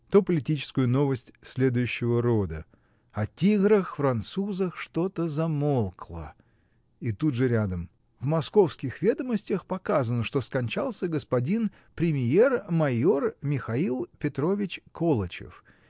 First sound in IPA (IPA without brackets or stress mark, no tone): t̪